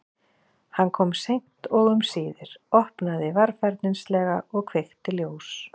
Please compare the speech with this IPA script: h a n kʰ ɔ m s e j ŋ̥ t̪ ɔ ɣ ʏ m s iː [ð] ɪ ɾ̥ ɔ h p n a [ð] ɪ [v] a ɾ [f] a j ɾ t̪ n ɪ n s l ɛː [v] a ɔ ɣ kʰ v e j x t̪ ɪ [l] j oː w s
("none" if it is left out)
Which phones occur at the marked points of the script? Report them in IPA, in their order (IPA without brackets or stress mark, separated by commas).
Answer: ð, ð, v, f, ɣ, l